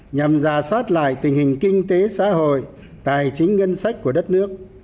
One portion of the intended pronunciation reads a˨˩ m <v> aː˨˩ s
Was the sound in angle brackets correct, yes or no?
no